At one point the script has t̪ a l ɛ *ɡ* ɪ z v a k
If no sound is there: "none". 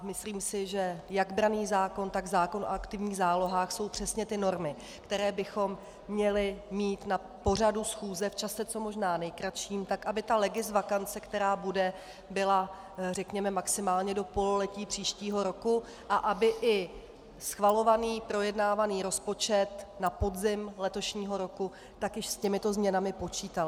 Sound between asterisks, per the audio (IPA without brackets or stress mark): ɡ